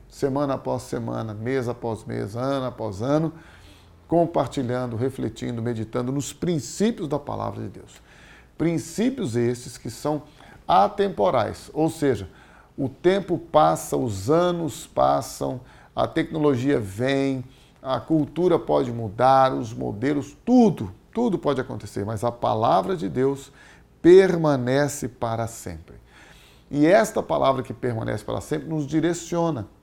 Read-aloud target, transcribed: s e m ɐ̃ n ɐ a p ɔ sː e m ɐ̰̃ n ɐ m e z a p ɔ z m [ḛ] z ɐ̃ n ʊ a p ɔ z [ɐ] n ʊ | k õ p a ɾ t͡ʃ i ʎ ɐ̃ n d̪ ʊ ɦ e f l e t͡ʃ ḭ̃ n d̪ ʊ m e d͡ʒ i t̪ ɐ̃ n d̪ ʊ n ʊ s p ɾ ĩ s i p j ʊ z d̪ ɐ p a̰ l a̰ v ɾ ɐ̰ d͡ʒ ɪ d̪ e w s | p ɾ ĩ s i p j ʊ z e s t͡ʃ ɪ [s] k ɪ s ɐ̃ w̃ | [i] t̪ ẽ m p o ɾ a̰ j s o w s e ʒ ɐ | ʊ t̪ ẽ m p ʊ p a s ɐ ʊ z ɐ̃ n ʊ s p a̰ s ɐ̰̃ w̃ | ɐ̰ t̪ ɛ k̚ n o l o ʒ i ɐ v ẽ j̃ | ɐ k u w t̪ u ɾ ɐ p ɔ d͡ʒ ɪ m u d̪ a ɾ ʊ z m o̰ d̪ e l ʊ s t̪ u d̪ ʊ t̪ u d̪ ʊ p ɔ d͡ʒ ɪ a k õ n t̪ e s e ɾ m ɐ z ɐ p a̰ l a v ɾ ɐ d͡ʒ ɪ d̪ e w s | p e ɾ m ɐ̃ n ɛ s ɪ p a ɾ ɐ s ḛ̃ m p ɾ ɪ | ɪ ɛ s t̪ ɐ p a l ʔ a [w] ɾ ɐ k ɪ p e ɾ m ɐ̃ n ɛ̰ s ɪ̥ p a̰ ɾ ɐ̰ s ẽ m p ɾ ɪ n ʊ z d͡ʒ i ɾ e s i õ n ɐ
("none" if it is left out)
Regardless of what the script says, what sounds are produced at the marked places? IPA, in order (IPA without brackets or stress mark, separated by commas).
ḛ, ɐ̃, s, a, v